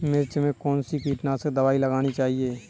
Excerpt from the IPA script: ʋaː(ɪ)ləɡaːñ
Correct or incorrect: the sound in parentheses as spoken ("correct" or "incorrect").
incorrect